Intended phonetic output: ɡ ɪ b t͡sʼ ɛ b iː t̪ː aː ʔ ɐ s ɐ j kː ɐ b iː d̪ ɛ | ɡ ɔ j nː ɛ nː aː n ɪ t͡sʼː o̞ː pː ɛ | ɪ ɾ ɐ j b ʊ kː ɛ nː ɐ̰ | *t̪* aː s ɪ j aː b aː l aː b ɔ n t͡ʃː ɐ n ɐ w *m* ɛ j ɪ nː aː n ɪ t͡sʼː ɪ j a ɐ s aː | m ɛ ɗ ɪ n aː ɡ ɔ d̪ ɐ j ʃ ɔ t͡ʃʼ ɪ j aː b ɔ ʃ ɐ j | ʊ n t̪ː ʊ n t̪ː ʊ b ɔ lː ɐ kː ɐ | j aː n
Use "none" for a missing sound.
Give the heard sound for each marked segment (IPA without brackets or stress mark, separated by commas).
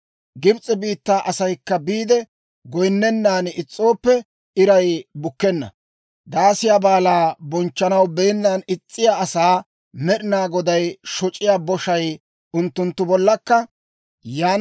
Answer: d̪, b